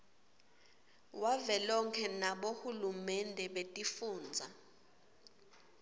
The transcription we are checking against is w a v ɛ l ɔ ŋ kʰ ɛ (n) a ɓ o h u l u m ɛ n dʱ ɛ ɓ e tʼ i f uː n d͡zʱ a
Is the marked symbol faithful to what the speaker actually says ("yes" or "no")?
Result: yes